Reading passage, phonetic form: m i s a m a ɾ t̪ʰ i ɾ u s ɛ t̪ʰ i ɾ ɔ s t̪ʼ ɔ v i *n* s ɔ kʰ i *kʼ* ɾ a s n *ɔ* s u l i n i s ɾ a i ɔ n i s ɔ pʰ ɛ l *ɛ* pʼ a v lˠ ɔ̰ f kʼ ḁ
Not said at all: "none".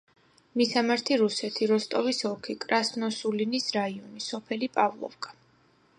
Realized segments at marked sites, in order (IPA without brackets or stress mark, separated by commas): none, kʼ, ɔ, i